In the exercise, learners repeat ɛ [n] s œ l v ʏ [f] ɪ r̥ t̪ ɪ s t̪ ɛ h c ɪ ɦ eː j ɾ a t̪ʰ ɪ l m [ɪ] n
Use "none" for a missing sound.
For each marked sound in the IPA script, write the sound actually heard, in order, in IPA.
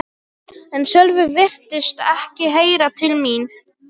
n, v, i

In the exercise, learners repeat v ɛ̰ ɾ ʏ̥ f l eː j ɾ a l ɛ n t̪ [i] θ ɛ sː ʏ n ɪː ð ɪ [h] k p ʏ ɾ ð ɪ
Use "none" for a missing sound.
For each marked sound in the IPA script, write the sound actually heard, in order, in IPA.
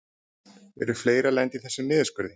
i, s

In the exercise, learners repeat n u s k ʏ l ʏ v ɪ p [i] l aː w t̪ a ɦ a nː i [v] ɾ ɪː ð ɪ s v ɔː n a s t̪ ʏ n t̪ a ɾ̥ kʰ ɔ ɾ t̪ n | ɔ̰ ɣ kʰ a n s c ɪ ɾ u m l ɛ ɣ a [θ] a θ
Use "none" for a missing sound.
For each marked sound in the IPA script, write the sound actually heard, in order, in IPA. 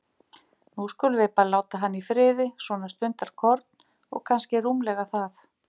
a, f, θ

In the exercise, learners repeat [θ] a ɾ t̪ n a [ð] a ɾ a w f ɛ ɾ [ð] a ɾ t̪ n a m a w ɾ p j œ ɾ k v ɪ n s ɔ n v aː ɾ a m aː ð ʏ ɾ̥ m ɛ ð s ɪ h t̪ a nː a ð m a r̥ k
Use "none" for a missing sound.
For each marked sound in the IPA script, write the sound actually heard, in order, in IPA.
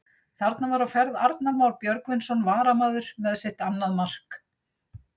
θ, v, ð

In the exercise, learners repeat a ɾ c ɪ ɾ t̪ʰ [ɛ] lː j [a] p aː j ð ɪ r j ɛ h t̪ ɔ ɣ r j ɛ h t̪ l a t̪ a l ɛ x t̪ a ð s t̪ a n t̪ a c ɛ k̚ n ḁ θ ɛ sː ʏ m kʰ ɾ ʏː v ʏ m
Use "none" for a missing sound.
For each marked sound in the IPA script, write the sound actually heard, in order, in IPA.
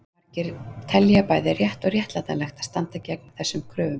ɛ, a

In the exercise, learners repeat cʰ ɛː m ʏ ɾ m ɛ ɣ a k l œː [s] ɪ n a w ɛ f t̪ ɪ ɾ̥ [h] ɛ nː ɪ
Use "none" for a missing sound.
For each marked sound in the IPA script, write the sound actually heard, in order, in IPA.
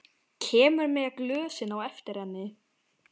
s, h

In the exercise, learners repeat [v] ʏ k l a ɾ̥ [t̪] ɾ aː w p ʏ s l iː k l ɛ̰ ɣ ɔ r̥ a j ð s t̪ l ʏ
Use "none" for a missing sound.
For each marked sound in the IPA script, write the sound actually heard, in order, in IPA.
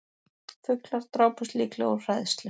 f, t̪

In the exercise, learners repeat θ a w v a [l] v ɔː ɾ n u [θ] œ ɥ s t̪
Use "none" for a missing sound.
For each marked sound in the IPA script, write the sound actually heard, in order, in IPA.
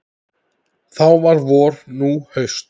ɾ, h

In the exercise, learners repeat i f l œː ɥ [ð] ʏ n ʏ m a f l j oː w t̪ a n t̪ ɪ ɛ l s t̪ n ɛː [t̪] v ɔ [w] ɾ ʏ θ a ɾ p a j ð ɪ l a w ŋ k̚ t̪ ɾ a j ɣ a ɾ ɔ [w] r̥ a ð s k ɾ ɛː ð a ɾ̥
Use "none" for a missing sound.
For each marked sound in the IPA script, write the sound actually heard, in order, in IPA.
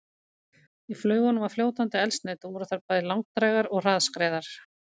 ɣ, t̪, none, ɣ

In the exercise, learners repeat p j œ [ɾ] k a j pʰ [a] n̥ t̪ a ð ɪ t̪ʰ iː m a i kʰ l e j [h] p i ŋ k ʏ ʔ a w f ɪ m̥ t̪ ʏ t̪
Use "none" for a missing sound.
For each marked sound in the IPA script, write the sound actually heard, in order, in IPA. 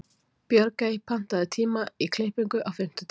ɾ, a, h

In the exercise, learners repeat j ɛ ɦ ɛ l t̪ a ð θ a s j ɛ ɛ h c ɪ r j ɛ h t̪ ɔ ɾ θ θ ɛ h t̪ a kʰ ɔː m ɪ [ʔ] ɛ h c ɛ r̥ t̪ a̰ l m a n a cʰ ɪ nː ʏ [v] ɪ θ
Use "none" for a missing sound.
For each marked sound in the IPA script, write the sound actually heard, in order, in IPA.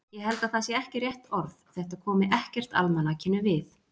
ʔ, v

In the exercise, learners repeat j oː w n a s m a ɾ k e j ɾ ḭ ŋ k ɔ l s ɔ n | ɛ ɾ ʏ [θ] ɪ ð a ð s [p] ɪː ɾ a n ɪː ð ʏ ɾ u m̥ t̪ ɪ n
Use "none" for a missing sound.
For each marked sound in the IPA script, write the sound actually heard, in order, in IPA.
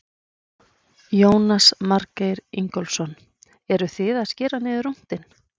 θ, c

